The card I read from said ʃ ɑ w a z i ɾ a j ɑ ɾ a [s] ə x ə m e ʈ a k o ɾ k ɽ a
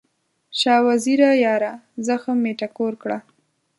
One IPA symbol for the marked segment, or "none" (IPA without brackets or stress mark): z